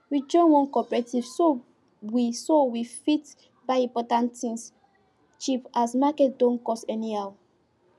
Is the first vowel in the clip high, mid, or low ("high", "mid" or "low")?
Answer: high